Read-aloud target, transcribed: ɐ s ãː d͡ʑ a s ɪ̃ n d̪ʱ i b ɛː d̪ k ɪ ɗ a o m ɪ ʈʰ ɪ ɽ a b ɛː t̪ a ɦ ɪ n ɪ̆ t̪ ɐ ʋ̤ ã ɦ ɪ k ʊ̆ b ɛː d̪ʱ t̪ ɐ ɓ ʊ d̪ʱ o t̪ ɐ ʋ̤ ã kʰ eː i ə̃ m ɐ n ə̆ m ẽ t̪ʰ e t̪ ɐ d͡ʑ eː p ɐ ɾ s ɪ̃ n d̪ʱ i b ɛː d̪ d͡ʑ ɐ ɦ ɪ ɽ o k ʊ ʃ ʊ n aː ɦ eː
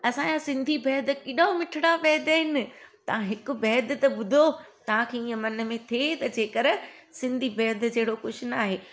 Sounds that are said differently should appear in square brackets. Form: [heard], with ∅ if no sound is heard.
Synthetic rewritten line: ɐ s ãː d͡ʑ a s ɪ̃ n d̪ʱ i b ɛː d̪ k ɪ ɗ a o m ɪ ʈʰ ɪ ɽ a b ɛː [d̪] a ɦ ɪ n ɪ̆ t̪ ɐ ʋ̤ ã ɦ ɪ k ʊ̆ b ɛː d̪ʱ t̪ ɐ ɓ ʊ d̪ʱ o t̪ ɐ ʋ̤ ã kʰ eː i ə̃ m ɐ n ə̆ m ẽ t̪ʰ e t̪ ɐ d͡ʑ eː [k] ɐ ɾ s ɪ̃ n d̪ʱ i b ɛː d̪ d͡ʑ ɐ ɦ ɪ ɽ o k ʊ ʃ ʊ n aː ɦ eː

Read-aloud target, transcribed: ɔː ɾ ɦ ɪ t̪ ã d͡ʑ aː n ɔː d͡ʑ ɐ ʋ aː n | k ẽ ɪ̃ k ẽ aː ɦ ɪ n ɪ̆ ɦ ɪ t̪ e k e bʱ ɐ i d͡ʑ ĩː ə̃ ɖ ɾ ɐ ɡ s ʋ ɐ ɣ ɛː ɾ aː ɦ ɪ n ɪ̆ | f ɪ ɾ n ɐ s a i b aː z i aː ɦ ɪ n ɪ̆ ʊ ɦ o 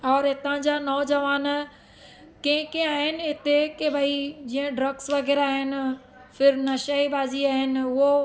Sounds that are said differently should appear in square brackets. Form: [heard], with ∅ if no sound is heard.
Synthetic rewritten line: ɔː ɾ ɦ ɪ t̪ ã d͡ʑ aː n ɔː d͡ʑ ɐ ʋ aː n | k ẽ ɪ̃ k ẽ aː ɦ ɪ n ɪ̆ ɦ ɪ t̪ e k e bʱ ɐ i d͡ʑ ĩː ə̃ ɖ ɾ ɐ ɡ s ʋ ɐ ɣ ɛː ɾ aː ɦ ɪ n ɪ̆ | f ɪ ɾ n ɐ [ʃ] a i b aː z i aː ɦ ɪ n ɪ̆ ʊ ɦ o

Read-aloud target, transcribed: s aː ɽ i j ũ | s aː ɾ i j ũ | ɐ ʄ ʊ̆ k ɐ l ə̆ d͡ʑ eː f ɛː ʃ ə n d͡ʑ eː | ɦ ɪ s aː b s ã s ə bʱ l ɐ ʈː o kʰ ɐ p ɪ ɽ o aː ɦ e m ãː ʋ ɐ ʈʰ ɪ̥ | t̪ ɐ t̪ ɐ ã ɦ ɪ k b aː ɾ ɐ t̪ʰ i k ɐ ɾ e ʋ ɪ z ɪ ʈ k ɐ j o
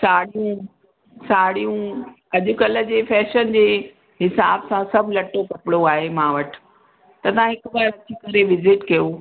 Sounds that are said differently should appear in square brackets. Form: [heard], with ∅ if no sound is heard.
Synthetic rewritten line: s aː ɽ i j ũ | s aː [ɽ] i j ũ | ɐ ʄ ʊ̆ k ɐ l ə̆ d͡ʑ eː f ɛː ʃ ə n d͡ʑ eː | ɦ ɪ s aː b s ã s [ɐ] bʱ l ɐ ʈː o [k] ɐ p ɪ ɽ o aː ɦ e m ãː ʋ ɐ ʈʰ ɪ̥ | t̪ ɐ t̪ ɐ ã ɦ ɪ k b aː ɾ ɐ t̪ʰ i k ɐ ɾ e ʋ ɪ z ɪ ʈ k ɐ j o

